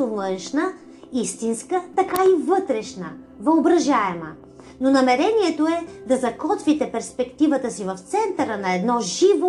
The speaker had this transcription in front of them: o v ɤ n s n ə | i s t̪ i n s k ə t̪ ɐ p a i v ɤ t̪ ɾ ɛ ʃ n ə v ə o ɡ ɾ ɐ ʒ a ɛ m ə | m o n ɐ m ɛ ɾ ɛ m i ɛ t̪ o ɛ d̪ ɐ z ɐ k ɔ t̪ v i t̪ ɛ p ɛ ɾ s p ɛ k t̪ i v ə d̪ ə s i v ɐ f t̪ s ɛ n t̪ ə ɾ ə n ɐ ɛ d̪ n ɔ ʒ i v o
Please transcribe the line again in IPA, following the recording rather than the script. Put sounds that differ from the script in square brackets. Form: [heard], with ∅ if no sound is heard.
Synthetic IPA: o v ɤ n [ʃ] n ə | i s t̪ i n s k ə t̪ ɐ [k] a i v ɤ t̪ ɾ ɛ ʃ n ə v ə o [b] ɾ ɐ ʒ a ɛ m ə | [n] o n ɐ m ɛ ɾ ɛ [n] i ɛ t̪ o ɛ d̪ ɐ z ɐ k ɔ t̪ v i t̪ ɛ p ɛ ɾ s p ɛ k t̪ i v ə [t̪] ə s i v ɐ f t̪ s ɛ n t̪ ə ɾ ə n ɐ ɛ d̪ n ɔ ʒ i v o